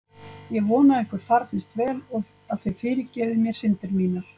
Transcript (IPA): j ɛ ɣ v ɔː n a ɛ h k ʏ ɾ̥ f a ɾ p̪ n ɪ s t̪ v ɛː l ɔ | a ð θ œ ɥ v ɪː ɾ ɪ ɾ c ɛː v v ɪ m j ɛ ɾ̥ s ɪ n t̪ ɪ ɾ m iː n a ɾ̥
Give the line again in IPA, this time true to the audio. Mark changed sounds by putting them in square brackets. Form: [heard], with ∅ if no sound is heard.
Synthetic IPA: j ɛ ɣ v ɔː n a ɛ h k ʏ ɾ̥ f a ɾ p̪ n ɪ s t̪ v ɛː l ɔ | a ð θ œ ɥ [f] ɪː ɾ ɪ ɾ c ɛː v [ð] ɪ m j ɛ ɾ̥ s ɪ n t̪ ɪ ɾ m iː n a ɾ̥

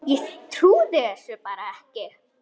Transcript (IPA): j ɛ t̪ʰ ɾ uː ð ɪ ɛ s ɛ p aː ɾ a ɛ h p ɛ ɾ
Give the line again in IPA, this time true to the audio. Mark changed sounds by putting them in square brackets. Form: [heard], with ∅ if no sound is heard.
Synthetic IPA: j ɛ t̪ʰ ɾ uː ð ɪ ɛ s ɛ p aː ɾ a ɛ h [c] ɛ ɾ

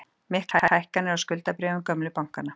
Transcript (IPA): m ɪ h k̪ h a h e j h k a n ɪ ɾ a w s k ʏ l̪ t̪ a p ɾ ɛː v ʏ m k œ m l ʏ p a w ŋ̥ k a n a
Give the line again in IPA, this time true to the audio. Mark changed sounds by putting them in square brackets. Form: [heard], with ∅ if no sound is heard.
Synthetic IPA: m ɪ h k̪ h a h [a] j h k a n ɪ ɾ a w s k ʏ l̪ t̪ a p ɾ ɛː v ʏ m k œ m l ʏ p a w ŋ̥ k a n a

